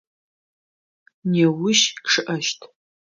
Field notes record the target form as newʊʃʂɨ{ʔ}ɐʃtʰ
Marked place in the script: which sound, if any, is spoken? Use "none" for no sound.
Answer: ʔ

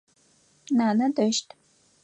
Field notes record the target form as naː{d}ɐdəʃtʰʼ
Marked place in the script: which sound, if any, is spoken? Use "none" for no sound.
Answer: n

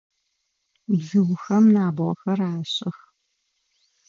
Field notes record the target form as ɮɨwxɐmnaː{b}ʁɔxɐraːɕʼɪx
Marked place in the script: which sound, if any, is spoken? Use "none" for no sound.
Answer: b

